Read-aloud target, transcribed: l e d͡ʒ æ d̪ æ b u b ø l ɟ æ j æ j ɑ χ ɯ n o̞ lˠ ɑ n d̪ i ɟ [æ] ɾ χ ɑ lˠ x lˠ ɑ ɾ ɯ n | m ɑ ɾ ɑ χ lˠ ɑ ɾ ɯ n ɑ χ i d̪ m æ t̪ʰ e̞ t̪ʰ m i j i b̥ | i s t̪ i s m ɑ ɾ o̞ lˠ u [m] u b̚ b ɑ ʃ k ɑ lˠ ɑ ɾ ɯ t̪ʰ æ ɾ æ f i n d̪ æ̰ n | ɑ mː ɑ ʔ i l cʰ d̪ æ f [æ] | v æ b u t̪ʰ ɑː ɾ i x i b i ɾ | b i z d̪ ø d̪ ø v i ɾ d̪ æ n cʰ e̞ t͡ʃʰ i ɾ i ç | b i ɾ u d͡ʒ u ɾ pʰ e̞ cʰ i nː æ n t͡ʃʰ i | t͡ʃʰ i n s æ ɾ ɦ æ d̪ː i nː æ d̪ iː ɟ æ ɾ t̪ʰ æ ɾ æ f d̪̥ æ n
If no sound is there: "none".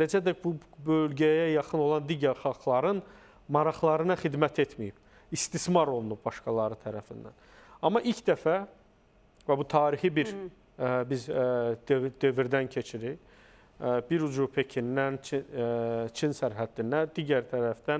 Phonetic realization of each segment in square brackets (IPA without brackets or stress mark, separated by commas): æ, n, æ